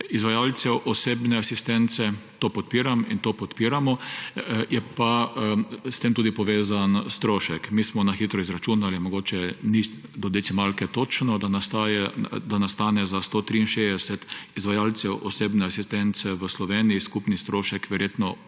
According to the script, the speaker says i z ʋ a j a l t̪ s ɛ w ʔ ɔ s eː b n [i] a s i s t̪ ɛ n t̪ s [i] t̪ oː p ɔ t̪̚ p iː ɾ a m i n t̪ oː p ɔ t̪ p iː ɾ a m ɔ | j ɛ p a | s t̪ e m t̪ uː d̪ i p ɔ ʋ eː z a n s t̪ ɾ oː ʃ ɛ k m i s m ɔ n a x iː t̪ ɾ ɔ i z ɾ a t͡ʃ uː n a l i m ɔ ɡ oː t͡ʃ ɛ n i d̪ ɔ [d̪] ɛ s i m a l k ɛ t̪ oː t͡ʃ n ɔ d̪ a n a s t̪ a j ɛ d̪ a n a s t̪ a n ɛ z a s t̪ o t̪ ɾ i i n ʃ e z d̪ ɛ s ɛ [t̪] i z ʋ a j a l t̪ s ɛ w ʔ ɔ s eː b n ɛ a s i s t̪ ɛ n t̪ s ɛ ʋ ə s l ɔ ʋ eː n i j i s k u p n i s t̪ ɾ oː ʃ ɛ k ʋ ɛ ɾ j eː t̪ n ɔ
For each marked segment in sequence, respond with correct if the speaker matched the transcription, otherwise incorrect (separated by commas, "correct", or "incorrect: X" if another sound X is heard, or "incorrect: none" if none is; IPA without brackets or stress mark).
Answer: incorrect: ɛ, incorrect: ɛ, correct, correct